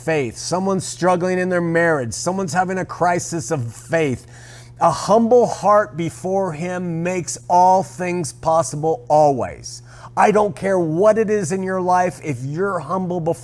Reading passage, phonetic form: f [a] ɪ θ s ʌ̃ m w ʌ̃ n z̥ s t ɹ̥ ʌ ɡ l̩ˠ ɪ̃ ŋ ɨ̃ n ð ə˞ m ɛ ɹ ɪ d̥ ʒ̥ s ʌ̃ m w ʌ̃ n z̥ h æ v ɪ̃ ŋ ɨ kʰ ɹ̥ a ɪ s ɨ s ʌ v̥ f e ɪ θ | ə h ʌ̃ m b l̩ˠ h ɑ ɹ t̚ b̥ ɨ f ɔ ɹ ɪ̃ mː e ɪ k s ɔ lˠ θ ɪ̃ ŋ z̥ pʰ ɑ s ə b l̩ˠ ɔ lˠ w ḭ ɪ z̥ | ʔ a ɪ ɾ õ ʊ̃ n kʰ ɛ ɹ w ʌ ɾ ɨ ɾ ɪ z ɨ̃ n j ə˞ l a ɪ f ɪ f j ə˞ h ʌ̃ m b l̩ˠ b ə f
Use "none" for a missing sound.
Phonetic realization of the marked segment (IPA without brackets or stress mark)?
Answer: e